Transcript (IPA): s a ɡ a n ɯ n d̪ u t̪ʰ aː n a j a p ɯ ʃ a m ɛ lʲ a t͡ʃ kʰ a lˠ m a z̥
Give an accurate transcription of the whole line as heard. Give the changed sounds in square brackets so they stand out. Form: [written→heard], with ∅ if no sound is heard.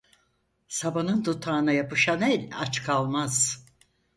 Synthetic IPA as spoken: s a [ɡ→b] a n ɯ n d̪ u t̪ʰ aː n a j a p ɯ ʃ a [m→n] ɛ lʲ a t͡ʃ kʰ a lˠ m a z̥